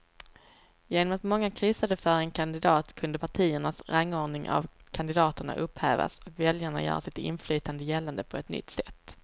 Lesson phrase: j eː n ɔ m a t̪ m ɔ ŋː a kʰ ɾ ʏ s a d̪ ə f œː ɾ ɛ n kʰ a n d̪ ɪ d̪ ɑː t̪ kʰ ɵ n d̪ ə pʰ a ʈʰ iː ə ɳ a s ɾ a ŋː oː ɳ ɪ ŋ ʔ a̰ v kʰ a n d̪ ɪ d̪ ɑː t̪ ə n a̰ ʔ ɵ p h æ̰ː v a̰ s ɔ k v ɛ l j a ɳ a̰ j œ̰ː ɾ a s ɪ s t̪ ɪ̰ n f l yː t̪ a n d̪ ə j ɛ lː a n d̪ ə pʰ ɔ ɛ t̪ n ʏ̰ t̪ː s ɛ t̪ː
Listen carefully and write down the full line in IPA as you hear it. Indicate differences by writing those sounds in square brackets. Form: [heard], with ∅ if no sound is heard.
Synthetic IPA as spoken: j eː n ɔ m a t̪ m ɔ ŋː a kʰ ɾ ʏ s a d̪ ə f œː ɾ ɛ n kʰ a n d̪ ɪ d̪ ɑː t̪ kʰ ɵ n d̪ ə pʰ a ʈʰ iː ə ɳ a s ɾ a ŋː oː ɳ ɪ ŋ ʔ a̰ v kʰ a n d̪ ɪ d̪ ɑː t̪ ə [ɳ] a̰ ʔ ɵ p h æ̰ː v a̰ s ɔ k v ɛ l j a ɳ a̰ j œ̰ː ɾ a s ɪ [∅] t̪ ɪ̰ n f l yː t̪ a n d̪ ə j ɛ lː a n d̪ ə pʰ ɔ ɛ t̪ n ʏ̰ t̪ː s ɛ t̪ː